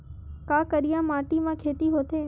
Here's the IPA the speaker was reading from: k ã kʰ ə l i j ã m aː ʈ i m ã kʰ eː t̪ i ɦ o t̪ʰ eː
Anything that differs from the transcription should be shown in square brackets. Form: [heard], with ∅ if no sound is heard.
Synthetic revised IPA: k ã [k] ə [ɾ] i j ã m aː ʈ i m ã kʰ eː t̪ i ɦ o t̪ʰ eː